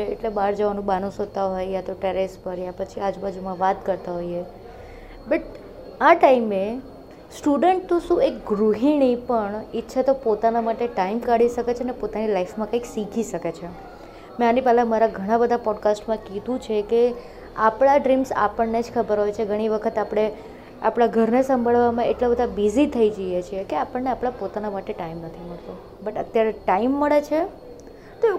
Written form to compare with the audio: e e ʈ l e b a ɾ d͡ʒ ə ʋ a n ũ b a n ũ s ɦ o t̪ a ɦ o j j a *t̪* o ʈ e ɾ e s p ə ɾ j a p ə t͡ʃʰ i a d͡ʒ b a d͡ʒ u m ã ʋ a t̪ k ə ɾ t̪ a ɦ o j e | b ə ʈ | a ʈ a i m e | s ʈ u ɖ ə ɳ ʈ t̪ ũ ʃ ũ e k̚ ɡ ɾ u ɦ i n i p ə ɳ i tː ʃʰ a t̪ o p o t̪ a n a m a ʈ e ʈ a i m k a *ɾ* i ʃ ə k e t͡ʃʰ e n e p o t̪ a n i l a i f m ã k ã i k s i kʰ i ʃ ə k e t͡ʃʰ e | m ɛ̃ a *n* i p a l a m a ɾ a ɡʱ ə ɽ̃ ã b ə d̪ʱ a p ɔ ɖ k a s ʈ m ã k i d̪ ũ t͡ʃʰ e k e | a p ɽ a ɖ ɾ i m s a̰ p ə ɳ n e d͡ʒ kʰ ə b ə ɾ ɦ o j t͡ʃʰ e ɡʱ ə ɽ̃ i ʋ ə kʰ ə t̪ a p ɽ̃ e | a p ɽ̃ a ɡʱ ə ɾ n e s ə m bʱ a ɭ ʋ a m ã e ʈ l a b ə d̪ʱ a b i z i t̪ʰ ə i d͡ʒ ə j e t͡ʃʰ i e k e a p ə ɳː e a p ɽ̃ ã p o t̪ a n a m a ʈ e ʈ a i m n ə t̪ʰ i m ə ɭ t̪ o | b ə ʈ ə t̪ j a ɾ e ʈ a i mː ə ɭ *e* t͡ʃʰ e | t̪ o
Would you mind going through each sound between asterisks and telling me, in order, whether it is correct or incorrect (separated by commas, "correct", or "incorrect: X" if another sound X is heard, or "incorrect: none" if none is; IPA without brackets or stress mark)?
correct, incorrect: ɽ, correct, correct